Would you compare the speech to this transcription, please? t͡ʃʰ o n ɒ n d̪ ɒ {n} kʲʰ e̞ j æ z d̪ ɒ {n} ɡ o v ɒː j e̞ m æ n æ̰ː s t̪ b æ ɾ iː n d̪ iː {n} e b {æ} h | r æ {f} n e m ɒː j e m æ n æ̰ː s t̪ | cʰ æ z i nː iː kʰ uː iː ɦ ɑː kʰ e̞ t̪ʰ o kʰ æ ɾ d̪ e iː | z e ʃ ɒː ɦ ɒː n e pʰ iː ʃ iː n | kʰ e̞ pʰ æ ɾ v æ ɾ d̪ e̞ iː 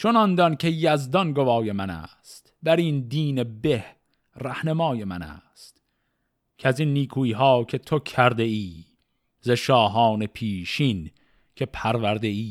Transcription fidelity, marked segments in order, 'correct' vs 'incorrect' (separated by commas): correct, correct, correct, incorrect, incorrect